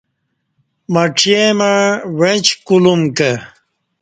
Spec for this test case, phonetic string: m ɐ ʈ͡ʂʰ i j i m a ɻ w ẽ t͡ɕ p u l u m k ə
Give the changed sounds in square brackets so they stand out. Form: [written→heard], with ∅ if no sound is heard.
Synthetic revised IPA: m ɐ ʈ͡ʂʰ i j [i→e] m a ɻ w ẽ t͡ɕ [p→k] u l u m k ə